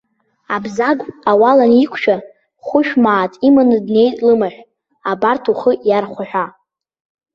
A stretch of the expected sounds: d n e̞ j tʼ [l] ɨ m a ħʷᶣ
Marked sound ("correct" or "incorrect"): correct